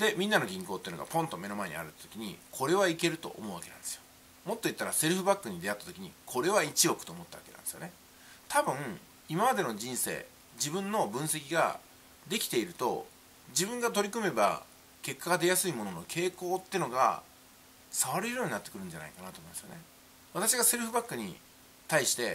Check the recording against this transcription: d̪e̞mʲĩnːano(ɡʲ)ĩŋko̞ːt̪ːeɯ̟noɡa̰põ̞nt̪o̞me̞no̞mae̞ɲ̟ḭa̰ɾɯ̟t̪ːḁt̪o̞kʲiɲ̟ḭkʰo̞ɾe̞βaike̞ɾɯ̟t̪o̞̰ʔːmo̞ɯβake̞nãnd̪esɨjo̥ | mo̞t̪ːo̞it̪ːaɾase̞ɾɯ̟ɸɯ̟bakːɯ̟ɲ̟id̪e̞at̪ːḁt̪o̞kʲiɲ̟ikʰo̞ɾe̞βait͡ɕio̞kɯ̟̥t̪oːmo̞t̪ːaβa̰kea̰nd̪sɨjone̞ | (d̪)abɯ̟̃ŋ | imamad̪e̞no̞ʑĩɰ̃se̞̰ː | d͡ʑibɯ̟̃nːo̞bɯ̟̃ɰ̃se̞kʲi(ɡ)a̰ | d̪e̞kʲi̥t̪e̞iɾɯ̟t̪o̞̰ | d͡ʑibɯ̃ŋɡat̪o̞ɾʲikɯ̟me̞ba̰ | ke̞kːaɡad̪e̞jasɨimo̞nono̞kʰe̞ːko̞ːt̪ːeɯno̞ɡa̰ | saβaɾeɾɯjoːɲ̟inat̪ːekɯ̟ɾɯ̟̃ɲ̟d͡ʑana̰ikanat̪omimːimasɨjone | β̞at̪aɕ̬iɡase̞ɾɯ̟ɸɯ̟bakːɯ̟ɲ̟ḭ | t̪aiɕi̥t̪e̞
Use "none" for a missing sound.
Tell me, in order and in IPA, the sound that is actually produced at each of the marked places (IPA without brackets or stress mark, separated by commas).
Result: ɡʲ, t̪, ɡ